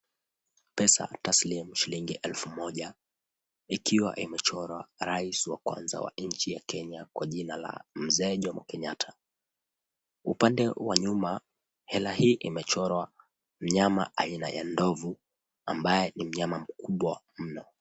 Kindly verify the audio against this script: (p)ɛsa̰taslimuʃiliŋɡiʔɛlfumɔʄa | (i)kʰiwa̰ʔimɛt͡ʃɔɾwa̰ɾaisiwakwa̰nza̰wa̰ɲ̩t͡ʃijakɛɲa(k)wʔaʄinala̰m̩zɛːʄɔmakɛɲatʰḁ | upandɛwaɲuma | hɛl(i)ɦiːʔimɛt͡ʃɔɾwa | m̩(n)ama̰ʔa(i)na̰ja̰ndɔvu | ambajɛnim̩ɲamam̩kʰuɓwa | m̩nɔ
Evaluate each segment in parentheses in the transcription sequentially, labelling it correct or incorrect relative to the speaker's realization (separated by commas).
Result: correct, correct, correct, incorrect, incorrect, correct